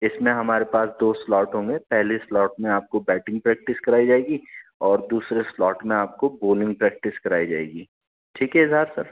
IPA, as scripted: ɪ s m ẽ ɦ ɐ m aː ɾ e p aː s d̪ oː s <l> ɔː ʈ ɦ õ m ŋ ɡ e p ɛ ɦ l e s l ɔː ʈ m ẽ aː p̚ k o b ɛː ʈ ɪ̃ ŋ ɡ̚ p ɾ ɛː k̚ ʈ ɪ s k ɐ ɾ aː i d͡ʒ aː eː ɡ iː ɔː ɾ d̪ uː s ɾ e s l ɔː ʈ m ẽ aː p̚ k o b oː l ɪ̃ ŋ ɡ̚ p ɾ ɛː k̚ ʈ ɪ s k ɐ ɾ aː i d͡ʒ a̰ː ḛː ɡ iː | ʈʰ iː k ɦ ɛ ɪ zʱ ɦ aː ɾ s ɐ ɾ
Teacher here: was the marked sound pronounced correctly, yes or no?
yes